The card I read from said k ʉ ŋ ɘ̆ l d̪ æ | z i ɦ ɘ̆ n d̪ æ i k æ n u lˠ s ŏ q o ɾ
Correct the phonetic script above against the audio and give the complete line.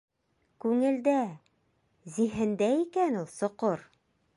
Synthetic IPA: k ʉ ŋ ɘ̆ l d̪ æ | z i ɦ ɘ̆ n d̪ æ i k æ n u lˠ s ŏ q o ɾ